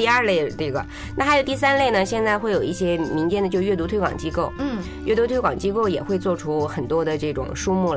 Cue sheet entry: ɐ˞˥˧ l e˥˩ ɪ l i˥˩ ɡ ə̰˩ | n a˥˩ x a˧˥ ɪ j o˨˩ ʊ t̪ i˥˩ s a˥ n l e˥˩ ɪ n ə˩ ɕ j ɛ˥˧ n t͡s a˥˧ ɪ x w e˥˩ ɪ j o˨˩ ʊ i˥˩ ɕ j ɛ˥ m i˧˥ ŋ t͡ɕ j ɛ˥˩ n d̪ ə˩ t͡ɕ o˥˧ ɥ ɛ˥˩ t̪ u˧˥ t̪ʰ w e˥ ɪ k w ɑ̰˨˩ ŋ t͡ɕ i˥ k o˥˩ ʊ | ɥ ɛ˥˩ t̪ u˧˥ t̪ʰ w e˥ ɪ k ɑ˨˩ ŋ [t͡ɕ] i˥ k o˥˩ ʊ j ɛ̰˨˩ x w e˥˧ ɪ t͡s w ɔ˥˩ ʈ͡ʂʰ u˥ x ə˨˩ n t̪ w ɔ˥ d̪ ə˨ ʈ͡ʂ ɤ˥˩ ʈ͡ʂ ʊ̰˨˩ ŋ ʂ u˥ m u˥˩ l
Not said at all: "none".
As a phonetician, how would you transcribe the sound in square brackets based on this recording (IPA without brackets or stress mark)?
t͡ɕ